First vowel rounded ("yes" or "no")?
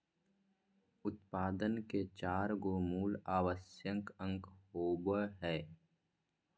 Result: yes